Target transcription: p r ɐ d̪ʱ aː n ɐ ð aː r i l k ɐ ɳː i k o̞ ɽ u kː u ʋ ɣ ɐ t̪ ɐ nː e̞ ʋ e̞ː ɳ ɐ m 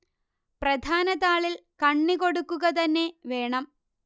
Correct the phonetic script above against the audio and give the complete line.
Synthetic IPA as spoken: p r ɐ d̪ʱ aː n ɐ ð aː ɭ i l k ɐ ɳː i k o̞ ɽ u kː u ɣ ɐ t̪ ɐ nː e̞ ʋ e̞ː ɳ ɐ m